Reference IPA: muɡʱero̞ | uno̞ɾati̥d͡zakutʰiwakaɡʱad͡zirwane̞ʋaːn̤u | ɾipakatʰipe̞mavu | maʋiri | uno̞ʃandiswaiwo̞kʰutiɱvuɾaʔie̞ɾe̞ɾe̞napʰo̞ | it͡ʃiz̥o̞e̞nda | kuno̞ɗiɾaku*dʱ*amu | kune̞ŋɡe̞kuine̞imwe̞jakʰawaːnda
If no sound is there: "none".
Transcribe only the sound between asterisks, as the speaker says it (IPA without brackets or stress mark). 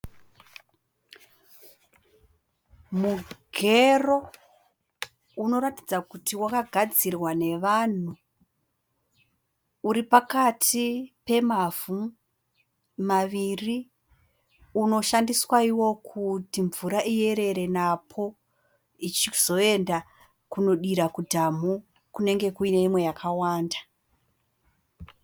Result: dʱ